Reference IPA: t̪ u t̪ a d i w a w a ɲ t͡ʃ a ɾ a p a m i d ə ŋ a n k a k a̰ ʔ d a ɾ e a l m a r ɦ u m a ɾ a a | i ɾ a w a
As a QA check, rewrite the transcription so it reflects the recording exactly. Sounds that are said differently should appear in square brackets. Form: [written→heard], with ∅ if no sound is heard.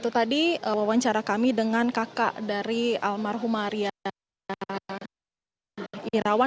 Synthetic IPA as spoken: t̪ u t̪ a d i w a w a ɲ t͡ʃ a ɾ a [p→k] a m i d ə ŋ a n k a k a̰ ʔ d a ɾ [e→i] a l m a r ɦ u m a ɾ [a→i] a | i ɾ a w a